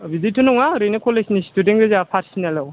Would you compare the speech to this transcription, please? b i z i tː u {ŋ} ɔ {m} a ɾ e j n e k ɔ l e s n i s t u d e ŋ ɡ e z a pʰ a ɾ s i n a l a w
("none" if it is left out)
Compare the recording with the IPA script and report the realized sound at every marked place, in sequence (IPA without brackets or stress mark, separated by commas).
n, ŋ